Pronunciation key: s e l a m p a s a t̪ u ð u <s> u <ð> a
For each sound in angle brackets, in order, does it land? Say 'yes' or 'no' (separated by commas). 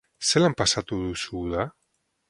yes, yes